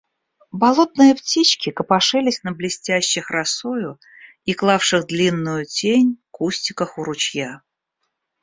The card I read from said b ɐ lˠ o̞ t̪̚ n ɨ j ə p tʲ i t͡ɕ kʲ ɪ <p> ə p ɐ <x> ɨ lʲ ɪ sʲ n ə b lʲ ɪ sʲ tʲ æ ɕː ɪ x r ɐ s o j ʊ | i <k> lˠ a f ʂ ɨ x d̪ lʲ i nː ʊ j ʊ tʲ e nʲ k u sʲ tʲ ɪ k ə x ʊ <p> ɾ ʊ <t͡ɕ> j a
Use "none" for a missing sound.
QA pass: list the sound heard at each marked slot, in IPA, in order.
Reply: k, ʂ, k, none, t͡ɕ

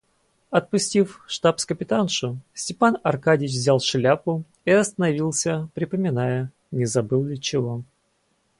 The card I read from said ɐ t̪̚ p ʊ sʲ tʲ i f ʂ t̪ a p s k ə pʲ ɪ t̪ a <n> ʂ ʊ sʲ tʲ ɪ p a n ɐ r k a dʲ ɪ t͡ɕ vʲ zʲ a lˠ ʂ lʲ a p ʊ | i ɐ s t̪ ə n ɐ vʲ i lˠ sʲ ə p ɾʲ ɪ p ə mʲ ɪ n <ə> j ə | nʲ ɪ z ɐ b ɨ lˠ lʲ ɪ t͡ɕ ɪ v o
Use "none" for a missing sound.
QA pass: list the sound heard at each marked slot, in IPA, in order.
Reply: n, a

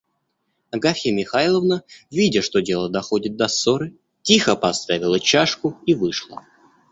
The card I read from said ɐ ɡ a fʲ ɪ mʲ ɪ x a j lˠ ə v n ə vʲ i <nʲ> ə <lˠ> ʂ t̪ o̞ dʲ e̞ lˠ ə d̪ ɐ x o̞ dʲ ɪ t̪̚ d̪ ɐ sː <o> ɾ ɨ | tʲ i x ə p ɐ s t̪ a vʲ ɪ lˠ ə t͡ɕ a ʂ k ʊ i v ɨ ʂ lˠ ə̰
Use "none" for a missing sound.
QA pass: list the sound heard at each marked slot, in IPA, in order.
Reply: dʲ, none, o

